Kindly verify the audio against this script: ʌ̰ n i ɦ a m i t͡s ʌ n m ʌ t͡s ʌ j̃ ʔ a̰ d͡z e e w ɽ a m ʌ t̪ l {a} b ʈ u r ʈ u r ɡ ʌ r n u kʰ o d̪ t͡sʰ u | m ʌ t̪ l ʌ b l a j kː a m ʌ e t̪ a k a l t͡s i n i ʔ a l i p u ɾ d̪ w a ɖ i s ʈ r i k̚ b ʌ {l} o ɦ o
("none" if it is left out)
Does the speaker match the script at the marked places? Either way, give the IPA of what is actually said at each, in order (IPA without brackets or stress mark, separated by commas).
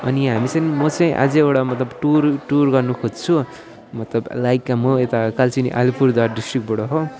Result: ʌ, ɽ